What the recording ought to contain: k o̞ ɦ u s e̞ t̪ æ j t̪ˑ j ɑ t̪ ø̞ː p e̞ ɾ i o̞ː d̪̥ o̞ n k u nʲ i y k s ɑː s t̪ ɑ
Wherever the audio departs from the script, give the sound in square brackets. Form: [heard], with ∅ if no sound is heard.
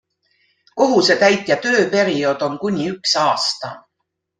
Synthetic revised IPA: k o̞ ɦ u s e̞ t̪ æ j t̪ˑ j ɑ t̪ ø̞ː p e̞ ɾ i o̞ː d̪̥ o̞ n k u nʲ i y k s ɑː s t̪ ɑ